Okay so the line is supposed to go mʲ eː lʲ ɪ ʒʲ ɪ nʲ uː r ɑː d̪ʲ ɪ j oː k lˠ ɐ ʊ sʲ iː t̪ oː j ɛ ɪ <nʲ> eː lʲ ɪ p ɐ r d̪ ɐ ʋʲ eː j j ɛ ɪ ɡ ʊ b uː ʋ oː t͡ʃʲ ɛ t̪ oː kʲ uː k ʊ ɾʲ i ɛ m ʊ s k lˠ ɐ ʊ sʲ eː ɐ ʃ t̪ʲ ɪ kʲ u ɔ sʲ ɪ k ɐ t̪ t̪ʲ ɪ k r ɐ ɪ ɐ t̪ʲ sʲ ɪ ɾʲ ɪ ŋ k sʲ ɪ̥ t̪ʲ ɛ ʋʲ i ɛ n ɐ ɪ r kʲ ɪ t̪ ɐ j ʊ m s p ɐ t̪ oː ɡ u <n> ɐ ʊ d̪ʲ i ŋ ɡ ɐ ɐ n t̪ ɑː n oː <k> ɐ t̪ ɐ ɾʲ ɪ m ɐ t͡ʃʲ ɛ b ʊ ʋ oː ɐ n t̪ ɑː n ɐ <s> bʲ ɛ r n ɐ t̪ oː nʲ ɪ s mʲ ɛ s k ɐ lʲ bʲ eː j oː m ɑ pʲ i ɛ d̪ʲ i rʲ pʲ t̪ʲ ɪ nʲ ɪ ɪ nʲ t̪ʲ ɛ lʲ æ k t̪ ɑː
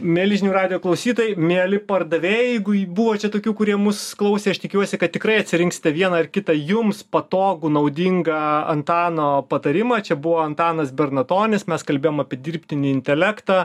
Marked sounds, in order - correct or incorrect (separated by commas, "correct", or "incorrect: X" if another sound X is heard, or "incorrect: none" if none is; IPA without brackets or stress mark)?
incorrect: mʲ, correct, incorrect: p, correct